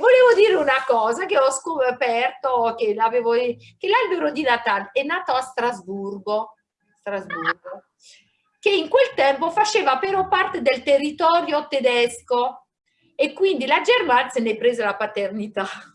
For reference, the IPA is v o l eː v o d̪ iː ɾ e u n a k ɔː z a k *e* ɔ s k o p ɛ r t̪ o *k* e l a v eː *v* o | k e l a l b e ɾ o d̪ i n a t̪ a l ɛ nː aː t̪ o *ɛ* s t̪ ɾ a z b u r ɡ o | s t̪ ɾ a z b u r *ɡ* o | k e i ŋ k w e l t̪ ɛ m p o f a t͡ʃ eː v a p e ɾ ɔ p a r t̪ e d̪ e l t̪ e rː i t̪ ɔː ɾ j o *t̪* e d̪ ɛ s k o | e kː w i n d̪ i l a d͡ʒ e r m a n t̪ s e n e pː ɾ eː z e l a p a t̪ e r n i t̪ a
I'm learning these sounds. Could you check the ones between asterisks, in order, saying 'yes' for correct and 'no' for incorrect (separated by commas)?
yes, yes, yes, no, yes, yes